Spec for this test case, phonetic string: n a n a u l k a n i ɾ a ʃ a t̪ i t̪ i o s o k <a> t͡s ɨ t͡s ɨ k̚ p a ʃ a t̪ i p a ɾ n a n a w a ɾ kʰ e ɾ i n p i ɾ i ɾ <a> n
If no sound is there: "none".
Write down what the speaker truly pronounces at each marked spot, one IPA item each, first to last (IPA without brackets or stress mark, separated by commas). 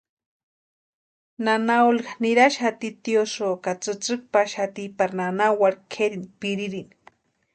a, i